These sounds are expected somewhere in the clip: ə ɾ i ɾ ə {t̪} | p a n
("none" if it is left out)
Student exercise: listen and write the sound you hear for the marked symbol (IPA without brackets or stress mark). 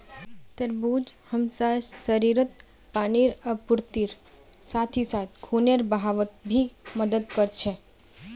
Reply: t̪